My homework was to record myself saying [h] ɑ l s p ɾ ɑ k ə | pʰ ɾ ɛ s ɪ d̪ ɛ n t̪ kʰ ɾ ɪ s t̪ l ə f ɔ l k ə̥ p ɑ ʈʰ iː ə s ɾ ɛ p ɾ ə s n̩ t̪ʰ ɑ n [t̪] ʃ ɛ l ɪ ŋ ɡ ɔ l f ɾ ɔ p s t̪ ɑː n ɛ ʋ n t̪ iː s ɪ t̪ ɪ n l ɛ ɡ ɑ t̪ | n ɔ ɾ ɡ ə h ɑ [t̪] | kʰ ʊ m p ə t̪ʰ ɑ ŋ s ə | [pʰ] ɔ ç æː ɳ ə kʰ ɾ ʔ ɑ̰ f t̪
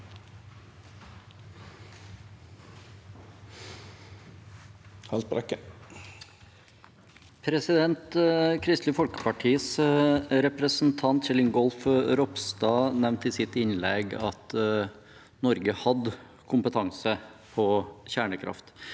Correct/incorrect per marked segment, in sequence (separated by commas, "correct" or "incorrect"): correct, correct, incorrect, correct